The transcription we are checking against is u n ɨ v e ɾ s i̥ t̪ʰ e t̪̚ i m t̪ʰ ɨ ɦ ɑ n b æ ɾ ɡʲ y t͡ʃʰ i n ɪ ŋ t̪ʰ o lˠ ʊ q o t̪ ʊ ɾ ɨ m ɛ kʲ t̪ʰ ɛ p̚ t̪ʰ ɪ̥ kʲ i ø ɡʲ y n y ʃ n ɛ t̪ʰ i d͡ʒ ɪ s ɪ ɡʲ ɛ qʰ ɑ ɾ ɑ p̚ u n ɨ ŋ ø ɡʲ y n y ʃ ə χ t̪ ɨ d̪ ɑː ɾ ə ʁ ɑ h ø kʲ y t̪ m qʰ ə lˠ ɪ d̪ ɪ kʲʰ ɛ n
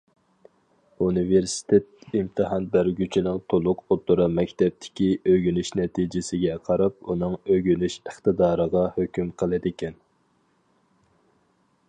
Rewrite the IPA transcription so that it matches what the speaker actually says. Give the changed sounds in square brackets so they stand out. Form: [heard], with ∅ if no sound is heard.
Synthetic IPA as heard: u n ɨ v e ɾ s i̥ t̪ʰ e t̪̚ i m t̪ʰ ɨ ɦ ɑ n b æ ɾ ɡʲ y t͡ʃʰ i n ɪ ŋ t̪ʰ o lˠ ʊ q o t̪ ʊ ɾ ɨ m ɛ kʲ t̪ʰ ɛ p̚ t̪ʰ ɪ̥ kʲ i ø ɡʲ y n y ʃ n ɛ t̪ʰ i d͡ʒ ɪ s ɪ ɡʲ ɛ qʰ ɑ ɾ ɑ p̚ u n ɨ ŋ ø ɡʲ y n y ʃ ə χ t̪ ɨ d̪ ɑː ɾ ə ʁ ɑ h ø kʲ y [∅] m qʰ ə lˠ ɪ d̪ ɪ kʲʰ ɛ n